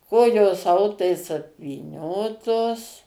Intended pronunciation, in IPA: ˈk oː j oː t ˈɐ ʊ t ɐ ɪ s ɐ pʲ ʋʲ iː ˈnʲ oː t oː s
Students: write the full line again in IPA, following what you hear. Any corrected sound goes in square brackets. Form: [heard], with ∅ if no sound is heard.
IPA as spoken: ˈk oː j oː [s] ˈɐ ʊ t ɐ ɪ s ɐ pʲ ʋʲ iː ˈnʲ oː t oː s